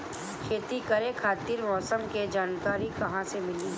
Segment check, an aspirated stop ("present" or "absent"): present